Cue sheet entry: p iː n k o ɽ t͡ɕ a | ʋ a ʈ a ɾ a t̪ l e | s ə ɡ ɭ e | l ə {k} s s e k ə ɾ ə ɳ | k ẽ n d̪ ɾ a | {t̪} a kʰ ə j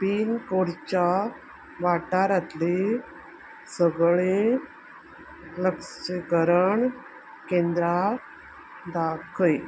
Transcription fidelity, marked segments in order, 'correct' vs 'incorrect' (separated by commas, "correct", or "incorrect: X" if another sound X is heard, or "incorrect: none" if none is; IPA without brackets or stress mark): correct, incorrect: d̪